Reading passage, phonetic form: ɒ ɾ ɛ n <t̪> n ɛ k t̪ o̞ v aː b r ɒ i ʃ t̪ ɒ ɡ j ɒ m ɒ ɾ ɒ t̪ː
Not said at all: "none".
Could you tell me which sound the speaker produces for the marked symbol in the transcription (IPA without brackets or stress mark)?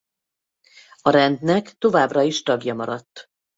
d̪